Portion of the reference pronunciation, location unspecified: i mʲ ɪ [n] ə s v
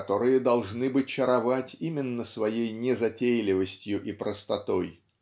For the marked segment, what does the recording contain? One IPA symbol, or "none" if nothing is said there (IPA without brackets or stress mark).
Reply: nː